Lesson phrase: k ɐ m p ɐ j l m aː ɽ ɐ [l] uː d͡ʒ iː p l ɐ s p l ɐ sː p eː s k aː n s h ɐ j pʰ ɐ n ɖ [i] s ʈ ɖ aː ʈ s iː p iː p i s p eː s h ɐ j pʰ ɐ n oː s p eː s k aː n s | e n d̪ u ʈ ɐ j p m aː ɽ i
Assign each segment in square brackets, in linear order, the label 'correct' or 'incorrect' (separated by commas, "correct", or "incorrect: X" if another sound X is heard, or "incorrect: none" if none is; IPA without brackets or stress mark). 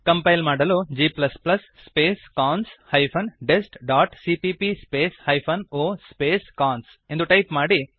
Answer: correct, incorrect: e